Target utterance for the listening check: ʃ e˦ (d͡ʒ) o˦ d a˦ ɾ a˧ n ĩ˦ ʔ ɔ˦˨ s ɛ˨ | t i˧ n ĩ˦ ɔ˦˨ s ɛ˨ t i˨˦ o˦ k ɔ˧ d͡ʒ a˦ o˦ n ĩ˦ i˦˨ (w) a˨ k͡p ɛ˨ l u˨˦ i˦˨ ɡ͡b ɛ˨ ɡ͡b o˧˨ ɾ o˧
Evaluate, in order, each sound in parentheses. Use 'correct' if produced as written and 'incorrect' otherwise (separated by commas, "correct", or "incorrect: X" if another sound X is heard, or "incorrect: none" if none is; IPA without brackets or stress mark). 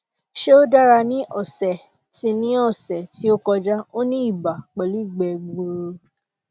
incorrect: none, incorrect: b